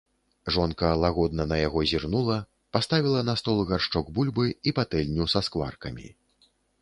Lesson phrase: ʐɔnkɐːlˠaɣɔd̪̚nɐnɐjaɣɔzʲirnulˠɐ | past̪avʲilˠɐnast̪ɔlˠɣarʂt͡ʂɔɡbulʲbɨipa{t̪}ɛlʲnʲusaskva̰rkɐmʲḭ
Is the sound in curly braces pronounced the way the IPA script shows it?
yes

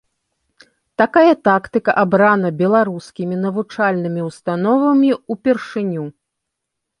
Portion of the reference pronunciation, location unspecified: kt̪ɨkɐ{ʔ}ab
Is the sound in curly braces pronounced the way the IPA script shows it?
yes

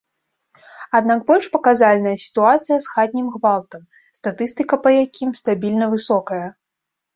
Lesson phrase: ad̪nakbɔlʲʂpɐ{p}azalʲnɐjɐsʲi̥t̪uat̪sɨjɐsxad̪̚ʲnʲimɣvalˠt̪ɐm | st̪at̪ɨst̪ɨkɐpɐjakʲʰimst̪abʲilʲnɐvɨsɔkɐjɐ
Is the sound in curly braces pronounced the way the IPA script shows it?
no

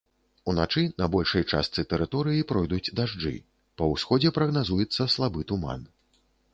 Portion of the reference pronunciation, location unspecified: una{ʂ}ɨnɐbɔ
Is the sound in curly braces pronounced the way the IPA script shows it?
no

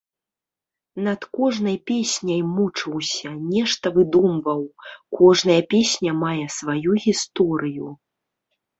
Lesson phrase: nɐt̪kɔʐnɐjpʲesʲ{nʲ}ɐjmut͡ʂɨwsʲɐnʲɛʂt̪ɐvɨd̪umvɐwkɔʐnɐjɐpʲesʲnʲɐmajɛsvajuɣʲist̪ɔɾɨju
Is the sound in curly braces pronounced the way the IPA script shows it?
yes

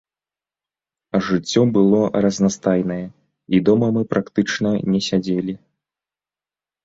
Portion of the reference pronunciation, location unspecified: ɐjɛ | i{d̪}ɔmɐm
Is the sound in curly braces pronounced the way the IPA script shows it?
yes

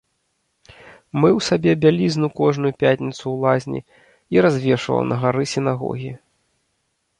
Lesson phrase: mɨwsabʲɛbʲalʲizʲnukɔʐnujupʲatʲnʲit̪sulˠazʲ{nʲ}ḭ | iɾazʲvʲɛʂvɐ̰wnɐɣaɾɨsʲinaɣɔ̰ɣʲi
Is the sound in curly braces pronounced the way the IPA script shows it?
yes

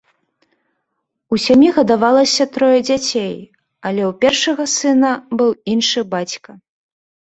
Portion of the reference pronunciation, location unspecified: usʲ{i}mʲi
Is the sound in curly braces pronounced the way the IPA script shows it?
no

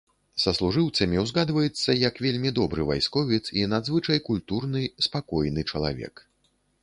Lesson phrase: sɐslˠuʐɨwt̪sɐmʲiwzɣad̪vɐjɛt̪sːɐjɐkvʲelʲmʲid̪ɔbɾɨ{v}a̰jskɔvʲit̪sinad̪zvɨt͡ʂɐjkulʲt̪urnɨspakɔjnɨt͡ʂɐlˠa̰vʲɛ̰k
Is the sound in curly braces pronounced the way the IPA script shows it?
yes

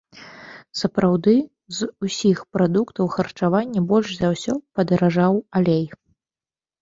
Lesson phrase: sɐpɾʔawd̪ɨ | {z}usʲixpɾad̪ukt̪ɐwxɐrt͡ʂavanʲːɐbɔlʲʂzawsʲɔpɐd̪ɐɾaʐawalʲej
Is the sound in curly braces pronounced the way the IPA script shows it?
yes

